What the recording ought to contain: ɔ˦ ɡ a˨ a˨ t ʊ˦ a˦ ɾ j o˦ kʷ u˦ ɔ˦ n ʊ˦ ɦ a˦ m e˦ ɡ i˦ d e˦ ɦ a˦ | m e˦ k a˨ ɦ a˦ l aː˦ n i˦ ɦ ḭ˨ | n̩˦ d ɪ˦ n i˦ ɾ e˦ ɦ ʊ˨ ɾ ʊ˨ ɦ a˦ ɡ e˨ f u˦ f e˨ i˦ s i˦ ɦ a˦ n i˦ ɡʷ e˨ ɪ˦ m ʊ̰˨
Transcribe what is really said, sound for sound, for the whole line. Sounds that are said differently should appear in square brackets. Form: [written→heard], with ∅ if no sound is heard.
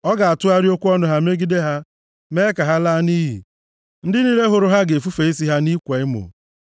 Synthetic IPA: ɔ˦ ɡ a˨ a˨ t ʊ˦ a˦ ɾ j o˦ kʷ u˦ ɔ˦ n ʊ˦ ɦ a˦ m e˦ ɡ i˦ d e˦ ɦ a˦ | m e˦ k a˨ ɦ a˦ l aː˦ n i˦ ɦ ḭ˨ | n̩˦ d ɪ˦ n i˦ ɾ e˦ ɦ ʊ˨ ɾ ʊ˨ ɦ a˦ ɡ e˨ f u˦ f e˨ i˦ s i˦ ɦ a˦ n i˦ [ɡʷ→kʷ] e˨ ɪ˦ m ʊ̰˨